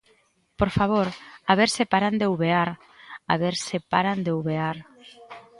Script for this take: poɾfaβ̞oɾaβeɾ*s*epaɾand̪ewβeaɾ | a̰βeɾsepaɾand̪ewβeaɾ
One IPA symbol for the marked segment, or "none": s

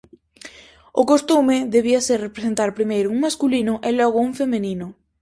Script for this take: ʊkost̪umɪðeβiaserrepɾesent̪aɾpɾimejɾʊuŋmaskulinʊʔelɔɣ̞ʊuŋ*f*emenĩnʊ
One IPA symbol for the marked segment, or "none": f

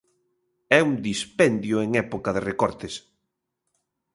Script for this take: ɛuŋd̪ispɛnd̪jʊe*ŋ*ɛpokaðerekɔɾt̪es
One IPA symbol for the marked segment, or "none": ŋ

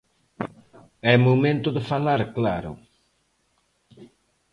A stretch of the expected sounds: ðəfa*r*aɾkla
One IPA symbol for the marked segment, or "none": l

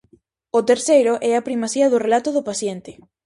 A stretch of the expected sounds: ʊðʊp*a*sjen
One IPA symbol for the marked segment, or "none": a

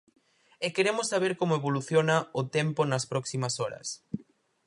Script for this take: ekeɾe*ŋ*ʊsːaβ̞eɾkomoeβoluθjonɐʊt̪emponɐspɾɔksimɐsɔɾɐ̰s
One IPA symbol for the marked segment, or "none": m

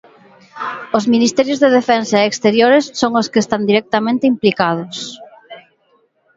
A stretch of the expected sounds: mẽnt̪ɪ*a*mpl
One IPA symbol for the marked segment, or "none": i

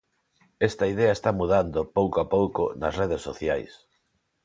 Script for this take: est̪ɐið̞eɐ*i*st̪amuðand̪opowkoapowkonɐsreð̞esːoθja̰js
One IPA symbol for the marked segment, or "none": e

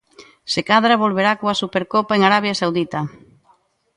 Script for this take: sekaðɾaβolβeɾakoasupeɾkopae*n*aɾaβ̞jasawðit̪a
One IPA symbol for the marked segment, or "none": ŋ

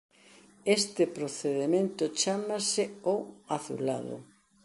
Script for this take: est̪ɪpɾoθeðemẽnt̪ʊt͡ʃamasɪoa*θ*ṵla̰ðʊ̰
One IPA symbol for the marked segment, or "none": θ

